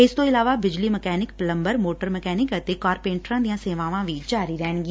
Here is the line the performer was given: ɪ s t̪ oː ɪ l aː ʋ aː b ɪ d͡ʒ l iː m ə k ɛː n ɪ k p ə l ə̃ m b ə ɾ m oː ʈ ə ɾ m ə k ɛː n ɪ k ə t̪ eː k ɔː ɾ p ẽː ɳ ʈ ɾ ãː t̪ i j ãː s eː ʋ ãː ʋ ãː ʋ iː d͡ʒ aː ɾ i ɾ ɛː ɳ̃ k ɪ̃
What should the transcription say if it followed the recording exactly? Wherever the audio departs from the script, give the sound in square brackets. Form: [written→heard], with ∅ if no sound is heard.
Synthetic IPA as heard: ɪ s t̪ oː ɪ l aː ʋ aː b ɪ d͡ʒ l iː m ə k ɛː n ɪ k p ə l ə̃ m b ə ɾ m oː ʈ ə ɾ m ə k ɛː n ɪ k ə t̪ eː k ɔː ɾ p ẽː ɳ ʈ ɾ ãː [t̪→d̪] i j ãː s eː ʋ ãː ʋ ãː ʋ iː d͡ʒ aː ɾ i ɾ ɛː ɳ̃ [k→ɡ] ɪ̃

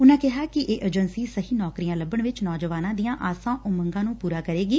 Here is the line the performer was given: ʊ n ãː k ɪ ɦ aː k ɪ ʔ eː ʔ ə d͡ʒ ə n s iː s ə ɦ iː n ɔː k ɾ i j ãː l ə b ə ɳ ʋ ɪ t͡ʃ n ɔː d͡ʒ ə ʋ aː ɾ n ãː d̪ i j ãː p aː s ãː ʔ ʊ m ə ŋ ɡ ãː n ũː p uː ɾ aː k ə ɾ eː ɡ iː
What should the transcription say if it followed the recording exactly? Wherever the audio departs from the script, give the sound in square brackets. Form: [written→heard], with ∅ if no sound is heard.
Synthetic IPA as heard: ʊ n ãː k ɪ ɦ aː k ɪ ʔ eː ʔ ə d͡ʒ ə n s iː s ə ɦ iː n ɔː k ɾ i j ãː l ə b ə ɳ ʋ ɪ t͡ʃ n ɔː d͡ʒ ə ʋ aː [ɾ→∅] n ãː d̪ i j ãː [p→ʔ] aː s ãː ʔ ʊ m ə ŋ ɡ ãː n ũː p uː ɾ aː k ə ɾ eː ɡ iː

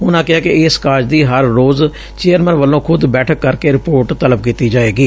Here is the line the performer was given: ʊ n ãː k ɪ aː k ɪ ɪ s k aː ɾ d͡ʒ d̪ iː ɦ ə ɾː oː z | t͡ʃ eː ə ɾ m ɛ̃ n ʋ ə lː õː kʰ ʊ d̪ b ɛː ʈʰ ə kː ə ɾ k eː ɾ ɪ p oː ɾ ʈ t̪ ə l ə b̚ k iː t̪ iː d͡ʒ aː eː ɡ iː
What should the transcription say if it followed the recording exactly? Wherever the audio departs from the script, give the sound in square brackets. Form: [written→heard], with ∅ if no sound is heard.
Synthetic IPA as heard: ʊ n ãː k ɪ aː k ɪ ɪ s k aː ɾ d͡ʒ d̪ iː ɦ ə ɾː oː z | t͡ʃ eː ə ɾ m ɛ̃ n ʋ ə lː õː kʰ ʊ d̪ b ɛː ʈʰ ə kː ə ɾ k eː ɾ ɪ p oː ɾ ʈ t̪ ə l ə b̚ k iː t̪ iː d͡ʒ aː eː ɡ iː

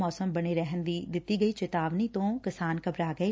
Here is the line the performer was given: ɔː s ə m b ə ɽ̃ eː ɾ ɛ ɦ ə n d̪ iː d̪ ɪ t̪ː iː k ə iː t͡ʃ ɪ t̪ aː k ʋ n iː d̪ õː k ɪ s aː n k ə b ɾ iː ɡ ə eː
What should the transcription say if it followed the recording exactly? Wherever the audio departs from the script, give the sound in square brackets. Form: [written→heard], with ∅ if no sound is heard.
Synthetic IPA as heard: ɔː s ə m b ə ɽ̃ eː ɾ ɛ ɦ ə n d̪ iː d̪ ɪ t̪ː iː [k→ɡ] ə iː t͡ʃ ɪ t̪ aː [k→∅] ʋ n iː [d̪→t̪] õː k ɪ s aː n k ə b ɾ [iː→aː] ɡ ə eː

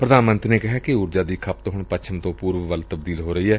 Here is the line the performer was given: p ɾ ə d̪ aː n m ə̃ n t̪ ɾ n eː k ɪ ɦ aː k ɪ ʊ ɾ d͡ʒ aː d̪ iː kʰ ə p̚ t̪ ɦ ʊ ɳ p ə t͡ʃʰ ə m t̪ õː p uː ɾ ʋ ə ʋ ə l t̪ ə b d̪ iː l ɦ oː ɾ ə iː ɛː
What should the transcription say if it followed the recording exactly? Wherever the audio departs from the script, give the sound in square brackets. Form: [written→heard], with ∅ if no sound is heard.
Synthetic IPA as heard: p ɾ ə d̪ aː n m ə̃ n t̪ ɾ n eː k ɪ ɦ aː k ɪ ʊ ɾ d͡ʒ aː d̪ iː kʰ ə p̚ t̪ ɦ ʊ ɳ p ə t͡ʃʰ ə m t̪ õː p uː ɾ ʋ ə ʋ ə l t̪ ə b d̪ iː l ɦ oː ɾ ə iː ɛː

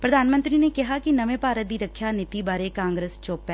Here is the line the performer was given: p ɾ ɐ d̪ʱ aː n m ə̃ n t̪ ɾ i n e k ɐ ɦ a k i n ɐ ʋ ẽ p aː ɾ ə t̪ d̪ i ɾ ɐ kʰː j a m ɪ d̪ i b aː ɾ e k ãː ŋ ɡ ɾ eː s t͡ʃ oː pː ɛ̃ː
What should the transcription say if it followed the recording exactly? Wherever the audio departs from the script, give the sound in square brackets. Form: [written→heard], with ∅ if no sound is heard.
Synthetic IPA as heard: p ɾ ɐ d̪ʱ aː n m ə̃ n t̪ ɾ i n e k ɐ ɦ a k i n ɐ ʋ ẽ p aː ɾ ə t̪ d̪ i ɾ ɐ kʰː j a [m→n] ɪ [d̪→t̪] i b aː ɾ e k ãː ŋ ɡ ɾ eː s t͡ʃ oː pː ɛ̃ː

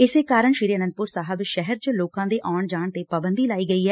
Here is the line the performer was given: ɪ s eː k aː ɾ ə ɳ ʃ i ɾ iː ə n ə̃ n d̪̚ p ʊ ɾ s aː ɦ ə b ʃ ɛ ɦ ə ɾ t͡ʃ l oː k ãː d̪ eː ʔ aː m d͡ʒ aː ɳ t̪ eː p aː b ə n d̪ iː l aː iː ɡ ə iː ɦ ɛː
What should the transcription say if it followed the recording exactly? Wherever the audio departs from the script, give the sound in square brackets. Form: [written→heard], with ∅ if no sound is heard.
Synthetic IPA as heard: ɪ s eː k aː ɾ ə ɳ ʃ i ɾ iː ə n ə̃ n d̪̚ p ʊ ɾ s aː ɦ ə b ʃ ɛ ɦ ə ɾ t͡ʃ l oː k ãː d̪ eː ʔ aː [m→ɳ] d͡ʒ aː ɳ t̪ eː p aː b ə n d̪ iː l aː iː ɡ ə iː ɦ ɛː

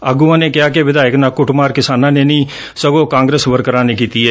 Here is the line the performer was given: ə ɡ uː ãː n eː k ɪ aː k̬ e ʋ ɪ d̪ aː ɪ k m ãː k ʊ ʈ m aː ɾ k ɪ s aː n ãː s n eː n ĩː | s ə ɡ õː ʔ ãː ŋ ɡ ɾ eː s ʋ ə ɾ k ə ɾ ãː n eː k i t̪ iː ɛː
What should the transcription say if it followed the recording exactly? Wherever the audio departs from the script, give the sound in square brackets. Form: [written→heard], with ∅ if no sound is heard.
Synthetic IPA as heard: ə ɡ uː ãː n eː k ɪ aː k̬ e ʋ ɪ d̪ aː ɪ k [m→n] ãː k ʊ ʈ m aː ɾ k ɪ s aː n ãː [s→∅] n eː n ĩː | s ə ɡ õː [ʔ→k] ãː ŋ ɡ ɾ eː s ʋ ə ɾ k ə ɾ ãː n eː k [i→iː] t̪ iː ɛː

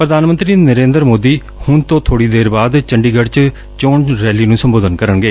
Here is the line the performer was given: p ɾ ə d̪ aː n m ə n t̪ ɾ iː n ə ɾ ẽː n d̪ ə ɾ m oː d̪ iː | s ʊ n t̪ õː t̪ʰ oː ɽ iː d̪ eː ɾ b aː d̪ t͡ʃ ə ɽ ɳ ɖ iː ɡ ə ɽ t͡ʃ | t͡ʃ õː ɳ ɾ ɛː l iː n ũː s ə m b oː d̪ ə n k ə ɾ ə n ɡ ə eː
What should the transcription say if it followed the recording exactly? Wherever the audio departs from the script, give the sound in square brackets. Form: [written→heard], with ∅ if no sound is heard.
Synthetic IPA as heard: p ɾ ə d̪ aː n m ə n t̪ ɾ iː n ə ɾ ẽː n d̪ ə ɾ m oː d̪ iː | [s→h] ʊ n t̪ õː t̪ʰ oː ɽ iː d̪ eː ɾ b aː d̪ t͡ʃ ə [ɽ→∅] ɳ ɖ iː ɡ ə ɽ t͡ʃ | t͡ʃ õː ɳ ɾ ɛː l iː n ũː s ə m b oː d̪ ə n k ə ɾ ə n ɡ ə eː

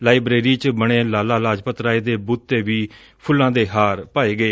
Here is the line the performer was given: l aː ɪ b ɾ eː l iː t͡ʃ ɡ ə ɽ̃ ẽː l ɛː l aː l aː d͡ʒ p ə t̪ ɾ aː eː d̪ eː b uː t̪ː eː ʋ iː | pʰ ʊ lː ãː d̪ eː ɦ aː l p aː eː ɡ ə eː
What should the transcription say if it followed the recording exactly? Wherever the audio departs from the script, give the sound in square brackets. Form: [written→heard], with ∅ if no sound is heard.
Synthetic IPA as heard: l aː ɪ b ɾ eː [l→ɾ] iː t͡ʃ [ɡ→b] ə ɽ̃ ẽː l [ɛː→aː] l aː l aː d͡ʒ p ə t̪ ɾ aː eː d̪ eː b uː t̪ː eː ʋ iː | pʰ ʊ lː ãː d̪ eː ɦ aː [l→ɾ] p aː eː ɡ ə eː

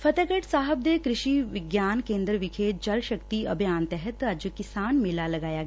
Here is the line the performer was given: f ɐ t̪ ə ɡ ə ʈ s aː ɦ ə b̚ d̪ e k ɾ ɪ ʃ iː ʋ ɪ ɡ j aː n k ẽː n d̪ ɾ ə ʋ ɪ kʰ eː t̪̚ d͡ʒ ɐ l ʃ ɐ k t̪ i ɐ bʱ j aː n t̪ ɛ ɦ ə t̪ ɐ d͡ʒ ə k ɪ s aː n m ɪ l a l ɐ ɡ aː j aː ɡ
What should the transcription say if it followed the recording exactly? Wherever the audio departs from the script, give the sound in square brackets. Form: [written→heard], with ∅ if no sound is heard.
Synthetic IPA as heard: f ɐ t̪ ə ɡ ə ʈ s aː ɦ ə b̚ d̪ e k ɾ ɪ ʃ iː ʋ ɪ ɡ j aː n k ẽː n d̪ ɾ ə ʋ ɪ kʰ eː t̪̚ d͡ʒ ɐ l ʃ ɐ k t̪ i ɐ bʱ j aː n t̪ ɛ ɦ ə t̪ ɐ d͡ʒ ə k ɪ s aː n m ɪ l a l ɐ ɡ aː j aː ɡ

